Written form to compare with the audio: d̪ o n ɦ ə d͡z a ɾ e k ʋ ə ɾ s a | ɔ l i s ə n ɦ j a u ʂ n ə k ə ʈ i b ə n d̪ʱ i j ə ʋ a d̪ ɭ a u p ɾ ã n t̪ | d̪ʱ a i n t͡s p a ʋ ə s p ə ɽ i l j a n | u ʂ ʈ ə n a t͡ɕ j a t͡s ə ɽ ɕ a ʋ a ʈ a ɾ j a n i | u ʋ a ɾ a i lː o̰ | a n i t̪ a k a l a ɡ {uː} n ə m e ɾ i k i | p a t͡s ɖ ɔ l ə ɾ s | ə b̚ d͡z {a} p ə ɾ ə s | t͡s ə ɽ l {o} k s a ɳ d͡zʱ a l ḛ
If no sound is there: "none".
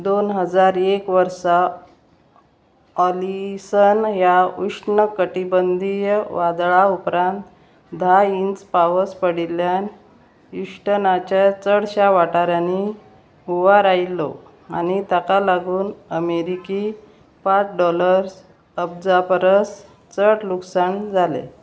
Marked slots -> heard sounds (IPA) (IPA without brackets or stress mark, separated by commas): uː, a, u